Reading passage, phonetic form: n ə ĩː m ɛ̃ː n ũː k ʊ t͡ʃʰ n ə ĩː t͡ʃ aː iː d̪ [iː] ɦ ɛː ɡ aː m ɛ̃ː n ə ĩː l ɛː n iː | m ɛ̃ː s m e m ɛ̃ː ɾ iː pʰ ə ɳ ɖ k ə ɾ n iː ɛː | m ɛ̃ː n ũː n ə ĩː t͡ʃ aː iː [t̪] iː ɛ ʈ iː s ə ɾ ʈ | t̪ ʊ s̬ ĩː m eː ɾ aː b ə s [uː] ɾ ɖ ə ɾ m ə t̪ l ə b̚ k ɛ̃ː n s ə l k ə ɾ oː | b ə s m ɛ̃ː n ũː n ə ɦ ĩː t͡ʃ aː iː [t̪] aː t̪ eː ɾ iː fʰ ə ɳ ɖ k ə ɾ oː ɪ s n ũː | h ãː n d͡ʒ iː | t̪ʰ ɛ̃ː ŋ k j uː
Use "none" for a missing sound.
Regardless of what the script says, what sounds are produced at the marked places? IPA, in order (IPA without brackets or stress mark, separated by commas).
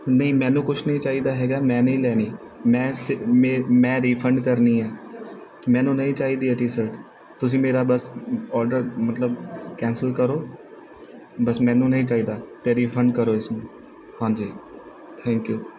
aː, d̪, ɔː, d̪